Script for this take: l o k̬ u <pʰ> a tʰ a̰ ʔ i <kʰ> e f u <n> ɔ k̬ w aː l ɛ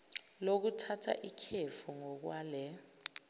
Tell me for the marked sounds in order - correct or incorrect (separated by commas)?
incorrect, correct, incorrect